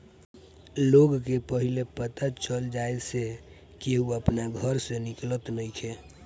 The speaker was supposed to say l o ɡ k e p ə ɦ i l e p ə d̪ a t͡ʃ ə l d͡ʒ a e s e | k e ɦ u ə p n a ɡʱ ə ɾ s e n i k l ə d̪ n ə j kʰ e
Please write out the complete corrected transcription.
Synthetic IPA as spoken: l o ɡ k e p ə ɦ i l e p ə t̪ a t͡ʃ ə l d͡ʒ a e s e | k e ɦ u ə p n a ɡʱ ə ɾ s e n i k l ə t̪ n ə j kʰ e